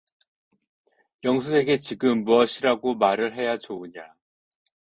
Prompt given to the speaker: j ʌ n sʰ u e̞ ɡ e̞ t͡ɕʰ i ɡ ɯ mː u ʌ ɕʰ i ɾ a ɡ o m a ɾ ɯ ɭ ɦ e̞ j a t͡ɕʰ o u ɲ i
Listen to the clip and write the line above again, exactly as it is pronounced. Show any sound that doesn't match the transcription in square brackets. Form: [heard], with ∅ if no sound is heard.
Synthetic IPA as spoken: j ʌ [ŋ] sʰ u e̞ ɡ e̞ [t͡ɕ] i ɡ ɯ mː u ʌ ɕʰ i ɾ a ɡ o m a ɾ ɯ ɭ ɦ e̞ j a [t͡ɕ] o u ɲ [a]